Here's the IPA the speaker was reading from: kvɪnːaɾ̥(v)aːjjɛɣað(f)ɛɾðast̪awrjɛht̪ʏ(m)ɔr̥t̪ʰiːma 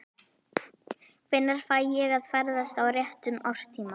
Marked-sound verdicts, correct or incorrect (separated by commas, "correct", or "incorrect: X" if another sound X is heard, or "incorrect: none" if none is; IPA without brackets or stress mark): incorrect: f, correct, correct